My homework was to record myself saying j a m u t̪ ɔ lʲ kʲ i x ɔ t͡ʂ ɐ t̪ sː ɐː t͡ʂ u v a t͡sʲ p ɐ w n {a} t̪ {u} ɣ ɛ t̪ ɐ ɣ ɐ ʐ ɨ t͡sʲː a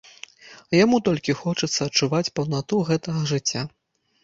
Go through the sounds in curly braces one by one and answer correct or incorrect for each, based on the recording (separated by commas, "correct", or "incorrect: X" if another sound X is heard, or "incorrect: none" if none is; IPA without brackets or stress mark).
correct, correct